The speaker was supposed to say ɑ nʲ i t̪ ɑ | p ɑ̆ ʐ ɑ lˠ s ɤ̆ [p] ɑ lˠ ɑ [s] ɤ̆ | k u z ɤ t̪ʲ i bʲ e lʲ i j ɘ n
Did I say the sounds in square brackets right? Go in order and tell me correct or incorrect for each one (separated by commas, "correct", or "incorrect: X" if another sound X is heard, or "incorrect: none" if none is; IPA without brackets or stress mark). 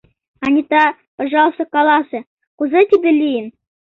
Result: incorrect: k, correct